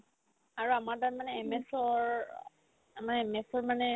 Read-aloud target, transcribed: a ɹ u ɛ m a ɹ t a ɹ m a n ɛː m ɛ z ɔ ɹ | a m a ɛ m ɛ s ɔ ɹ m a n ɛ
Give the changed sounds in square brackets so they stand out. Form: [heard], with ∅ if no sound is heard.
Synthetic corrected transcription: a ɹ u [a] m a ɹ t a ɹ m a n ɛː m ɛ [s] ɔ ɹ | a m a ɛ m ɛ s ɔ ɹ m a n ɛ

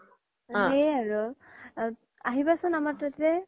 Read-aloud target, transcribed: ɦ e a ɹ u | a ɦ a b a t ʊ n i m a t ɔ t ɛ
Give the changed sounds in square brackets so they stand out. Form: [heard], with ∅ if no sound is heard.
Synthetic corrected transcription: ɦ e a ɹ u | a ɦ [i] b a [s] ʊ n [a] m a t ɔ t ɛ

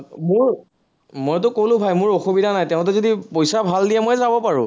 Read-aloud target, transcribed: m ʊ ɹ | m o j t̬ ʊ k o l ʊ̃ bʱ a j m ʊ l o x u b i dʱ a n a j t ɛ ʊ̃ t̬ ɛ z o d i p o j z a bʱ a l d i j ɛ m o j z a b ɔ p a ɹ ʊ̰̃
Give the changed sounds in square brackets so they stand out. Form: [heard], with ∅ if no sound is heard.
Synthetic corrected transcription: m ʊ ɹ | m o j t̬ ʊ k o l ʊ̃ bʱ a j m ʊ [ɹ] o x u b i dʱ a n a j t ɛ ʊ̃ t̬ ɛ z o d i p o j [s] a bʱ a l d i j ɛ m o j z a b ɔ p a ɹ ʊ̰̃

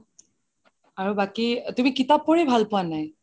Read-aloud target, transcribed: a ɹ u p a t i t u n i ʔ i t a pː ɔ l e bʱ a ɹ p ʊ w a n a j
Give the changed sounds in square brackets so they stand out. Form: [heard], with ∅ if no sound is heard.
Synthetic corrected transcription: a ɹ u [b] a [k] i t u [m] i [k] i t a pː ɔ [ɹ] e bʱ a [l] p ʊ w a n a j

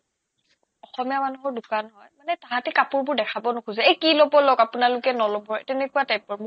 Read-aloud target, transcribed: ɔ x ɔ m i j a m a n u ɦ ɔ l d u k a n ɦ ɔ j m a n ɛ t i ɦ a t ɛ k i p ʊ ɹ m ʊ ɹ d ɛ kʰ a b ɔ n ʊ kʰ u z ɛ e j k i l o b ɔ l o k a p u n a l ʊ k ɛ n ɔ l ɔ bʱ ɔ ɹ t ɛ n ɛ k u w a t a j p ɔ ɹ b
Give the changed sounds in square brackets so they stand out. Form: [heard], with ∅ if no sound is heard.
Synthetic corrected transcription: ɔ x ɔ m i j a m a n u ɦ ɔ [ɹ] d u k a n ɦ ɔ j m a n ɛ t [a] ɦ a t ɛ k [a] p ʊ ɹ [b] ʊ ɹ d ɛ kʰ a b ɔ n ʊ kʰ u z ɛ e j k i l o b ɔ l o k a p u n a l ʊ k ɛ n ɔ l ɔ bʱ ɔ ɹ t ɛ n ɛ k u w a t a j p ɔ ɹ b

